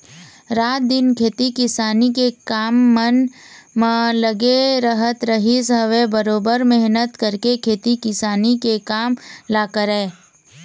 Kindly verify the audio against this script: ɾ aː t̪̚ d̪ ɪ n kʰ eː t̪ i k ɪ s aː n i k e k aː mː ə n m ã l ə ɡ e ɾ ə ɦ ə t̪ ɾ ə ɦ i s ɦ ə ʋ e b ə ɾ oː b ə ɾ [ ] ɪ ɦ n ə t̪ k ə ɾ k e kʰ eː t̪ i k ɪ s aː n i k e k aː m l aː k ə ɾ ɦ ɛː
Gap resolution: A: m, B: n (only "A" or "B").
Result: A